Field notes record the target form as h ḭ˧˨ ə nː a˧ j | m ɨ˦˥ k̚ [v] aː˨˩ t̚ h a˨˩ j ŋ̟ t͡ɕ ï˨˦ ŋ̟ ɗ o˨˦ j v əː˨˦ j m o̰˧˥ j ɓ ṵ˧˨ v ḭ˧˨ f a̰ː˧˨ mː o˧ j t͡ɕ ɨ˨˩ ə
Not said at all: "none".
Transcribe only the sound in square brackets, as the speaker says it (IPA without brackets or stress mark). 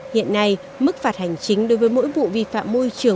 f